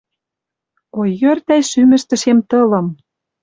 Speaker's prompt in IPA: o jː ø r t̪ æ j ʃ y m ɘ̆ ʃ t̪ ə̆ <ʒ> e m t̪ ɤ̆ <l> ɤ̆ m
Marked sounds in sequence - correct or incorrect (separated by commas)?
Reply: incorrect, correct